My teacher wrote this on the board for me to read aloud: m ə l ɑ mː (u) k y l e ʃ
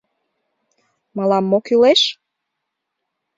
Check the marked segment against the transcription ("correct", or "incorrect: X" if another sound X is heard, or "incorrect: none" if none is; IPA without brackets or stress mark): incorrect: o